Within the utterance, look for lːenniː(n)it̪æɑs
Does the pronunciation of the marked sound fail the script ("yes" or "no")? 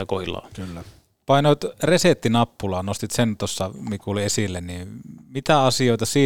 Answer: yes